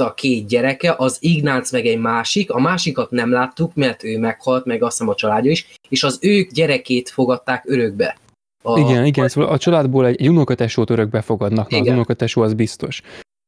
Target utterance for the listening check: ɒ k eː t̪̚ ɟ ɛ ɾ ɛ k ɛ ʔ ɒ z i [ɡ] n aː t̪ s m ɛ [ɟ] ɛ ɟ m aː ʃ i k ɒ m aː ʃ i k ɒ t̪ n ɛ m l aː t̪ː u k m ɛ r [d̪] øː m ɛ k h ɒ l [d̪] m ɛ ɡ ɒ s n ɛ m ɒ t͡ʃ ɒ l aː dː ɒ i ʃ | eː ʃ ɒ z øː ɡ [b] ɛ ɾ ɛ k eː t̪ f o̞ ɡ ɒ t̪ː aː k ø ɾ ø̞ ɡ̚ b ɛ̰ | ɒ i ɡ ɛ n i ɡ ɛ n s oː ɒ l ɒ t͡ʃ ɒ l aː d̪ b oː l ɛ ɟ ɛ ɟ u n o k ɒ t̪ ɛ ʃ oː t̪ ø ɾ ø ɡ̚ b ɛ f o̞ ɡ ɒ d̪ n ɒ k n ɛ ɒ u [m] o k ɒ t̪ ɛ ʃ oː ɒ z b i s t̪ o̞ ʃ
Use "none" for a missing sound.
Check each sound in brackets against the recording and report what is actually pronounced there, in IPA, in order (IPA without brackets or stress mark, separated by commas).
ɡ, ɡ, t̪, t̪, ɟ, n